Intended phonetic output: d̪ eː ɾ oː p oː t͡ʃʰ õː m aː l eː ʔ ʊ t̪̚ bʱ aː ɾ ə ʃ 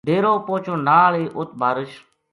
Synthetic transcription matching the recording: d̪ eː ɾ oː p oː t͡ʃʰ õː n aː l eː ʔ ʊ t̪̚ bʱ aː ɾ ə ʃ